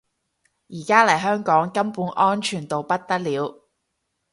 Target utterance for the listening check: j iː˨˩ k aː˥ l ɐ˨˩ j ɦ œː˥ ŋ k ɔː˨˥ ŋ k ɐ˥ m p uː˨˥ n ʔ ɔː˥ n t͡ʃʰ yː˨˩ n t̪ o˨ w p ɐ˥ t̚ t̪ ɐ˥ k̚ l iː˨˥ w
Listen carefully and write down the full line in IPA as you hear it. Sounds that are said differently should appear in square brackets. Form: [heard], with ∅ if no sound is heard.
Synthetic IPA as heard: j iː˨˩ k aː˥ l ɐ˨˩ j ɦ œː˥ ŋ k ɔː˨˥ ŋ k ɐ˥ m p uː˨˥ n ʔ ɔː˥ n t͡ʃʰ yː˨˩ n t̪ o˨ w p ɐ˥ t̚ t̪ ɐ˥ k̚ l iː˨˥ w